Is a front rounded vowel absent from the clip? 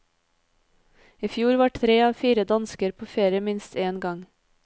yes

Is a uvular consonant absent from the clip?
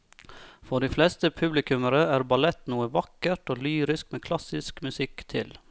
yes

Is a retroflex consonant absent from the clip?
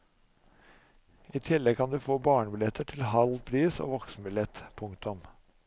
no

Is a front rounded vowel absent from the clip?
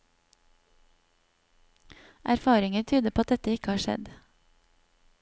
no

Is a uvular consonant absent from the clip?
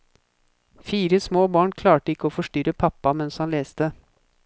yes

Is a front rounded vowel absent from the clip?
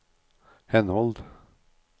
yes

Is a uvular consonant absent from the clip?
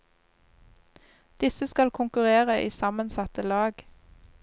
no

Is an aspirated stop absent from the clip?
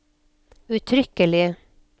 no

